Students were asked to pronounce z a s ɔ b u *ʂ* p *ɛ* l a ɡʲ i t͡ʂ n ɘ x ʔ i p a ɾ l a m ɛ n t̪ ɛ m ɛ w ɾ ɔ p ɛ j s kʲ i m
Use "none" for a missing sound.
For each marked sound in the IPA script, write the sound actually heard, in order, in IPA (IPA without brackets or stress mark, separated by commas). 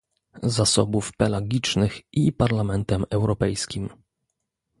f, ɛ